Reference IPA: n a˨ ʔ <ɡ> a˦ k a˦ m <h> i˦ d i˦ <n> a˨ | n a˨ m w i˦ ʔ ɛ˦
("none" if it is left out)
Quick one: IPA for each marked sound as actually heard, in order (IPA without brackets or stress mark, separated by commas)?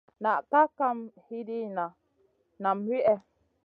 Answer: k, h, n